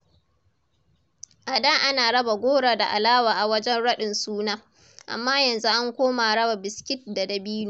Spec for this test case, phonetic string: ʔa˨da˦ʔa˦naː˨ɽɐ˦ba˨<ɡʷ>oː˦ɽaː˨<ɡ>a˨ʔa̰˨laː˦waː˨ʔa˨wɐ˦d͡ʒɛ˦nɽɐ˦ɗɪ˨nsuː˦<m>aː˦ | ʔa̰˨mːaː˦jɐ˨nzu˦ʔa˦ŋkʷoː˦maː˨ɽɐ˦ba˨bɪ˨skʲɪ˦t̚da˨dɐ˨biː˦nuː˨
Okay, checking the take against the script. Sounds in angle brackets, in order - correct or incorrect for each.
correct, incorrect: d, incorrect: n

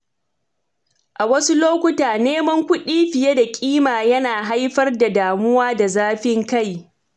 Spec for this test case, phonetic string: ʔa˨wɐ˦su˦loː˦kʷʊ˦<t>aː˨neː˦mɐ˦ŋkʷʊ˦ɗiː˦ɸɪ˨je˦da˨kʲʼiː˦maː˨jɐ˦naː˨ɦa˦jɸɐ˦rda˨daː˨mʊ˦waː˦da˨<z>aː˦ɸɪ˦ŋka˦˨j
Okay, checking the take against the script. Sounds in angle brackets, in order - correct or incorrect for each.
correct, correct

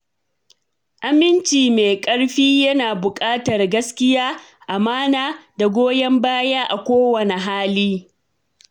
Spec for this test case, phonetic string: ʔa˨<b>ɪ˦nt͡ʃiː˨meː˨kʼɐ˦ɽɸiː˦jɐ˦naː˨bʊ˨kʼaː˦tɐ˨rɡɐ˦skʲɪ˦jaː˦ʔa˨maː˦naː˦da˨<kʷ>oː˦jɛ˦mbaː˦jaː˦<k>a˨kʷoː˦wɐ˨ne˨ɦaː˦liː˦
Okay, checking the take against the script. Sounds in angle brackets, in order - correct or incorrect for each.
incorrect: m, incorrect: ɡʷ, incorrect: ʔ

